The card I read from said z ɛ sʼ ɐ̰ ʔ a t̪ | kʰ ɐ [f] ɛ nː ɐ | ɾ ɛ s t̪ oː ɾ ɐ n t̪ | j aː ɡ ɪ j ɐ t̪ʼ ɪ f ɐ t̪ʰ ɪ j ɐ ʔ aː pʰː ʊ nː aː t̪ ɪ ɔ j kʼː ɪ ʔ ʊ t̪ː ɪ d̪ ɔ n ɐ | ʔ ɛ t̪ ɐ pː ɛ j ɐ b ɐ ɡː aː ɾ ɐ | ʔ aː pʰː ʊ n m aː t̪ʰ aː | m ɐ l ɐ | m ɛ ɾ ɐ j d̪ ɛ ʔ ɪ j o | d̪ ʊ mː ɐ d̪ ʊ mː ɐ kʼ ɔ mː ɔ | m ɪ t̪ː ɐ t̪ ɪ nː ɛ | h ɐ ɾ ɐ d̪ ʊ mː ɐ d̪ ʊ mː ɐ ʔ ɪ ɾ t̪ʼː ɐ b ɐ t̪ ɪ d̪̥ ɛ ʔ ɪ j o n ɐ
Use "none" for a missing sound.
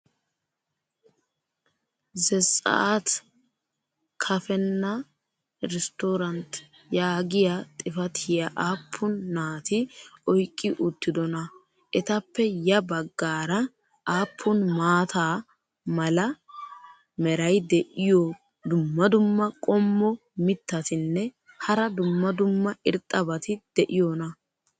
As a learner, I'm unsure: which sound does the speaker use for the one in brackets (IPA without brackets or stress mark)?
f